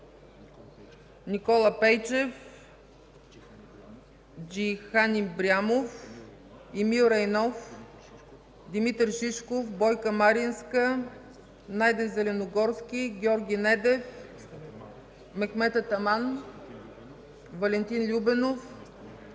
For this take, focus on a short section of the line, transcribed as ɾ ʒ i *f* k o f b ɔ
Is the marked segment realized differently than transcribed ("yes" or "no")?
yes